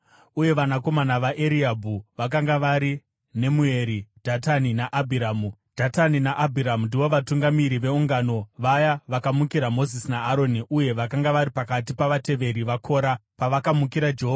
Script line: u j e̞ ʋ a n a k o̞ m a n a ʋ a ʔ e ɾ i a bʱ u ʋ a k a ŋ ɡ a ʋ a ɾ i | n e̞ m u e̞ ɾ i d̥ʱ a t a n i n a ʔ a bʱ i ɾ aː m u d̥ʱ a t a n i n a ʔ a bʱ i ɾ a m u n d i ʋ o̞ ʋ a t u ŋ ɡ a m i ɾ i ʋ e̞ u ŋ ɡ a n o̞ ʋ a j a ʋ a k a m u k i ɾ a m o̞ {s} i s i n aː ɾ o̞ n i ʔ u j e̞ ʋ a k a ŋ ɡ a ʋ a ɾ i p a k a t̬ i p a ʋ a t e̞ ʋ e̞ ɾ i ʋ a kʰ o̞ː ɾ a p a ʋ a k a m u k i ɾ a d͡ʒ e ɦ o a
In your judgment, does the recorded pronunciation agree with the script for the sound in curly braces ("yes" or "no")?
no